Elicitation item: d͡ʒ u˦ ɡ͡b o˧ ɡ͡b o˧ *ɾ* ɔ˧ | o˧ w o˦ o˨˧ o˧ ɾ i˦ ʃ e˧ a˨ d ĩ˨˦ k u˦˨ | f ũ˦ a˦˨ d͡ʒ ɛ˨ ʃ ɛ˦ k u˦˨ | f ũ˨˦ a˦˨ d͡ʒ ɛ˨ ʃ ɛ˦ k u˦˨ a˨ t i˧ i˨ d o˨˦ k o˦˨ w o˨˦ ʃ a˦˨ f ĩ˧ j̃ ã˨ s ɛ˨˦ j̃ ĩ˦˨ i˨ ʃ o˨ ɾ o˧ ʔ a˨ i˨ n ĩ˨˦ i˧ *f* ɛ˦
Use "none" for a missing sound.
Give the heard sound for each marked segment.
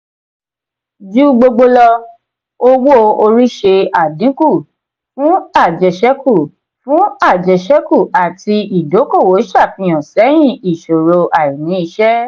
l, ʃ

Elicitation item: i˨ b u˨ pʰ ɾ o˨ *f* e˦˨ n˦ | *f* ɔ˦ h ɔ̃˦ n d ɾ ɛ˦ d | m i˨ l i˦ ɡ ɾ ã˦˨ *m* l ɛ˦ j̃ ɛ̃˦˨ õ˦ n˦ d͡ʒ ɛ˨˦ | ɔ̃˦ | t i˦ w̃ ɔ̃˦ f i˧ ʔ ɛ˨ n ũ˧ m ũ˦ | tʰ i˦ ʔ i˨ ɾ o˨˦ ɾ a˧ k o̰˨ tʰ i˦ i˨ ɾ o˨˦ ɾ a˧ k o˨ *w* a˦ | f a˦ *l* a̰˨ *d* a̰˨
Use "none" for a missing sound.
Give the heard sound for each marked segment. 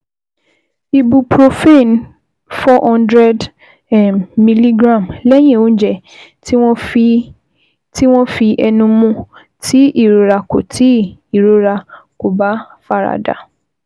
f, f, m, b, ɾ, d

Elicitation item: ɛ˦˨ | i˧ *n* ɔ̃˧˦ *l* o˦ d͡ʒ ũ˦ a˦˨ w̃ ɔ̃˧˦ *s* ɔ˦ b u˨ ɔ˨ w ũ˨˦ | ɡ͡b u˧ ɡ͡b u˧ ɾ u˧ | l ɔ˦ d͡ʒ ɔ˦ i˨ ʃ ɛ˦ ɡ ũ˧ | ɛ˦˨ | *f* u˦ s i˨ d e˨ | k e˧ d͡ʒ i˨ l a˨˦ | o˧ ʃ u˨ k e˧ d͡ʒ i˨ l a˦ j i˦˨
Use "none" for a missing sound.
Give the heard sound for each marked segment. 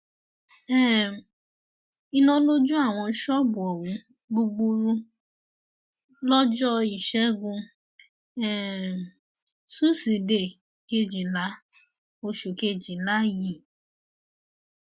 n, l, ʃ, s

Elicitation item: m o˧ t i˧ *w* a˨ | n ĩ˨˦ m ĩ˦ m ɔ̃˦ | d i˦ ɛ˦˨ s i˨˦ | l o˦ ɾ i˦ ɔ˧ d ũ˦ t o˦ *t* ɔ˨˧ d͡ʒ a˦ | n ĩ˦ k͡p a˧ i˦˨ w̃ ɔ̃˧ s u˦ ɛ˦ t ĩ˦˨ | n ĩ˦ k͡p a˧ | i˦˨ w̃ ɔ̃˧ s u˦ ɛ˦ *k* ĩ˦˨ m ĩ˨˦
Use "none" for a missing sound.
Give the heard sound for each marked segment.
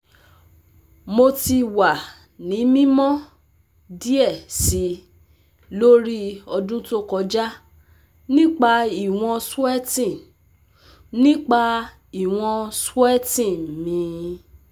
w, k, t

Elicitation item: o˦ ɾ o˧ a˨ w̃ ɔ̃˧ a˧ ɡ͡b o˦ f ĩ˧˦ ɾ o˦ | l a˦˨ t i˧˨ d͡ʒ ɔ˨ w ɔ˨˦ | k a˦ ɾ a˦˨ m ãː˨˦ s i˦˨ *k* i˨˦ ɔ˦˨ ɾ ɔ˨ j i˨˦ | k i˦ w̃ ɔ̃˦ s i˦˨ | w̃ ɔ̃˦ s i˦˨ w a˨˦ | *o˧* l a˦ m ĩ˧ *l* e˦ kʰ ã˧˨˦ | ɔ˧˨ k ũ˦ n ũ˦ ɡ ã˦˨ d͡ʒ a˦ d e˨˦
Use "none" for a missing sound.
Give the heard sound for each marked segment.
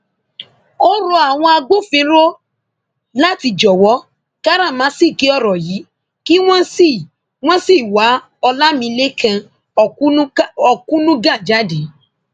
k, ɔ˧, l

